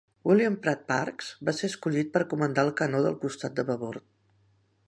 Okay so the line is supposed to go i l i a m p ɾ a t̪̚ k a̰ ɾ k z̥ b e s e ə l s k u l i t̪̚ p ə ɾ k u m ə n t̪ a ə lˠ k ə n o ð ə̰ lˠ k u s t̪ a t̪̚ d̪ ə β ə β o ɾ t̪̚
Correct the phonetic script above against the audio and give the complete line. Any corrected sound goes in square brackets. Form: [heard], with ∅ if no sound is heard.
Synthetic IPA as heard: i l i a m p ɾ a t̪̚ [p] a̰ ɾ k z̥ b [a] s e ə [∅] s k u [ʎ] i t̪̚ p ə ɾ k u m ə n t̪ a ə lˠ k ə n o ð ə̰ lˠ k u s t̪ a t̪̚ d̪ ə β ə β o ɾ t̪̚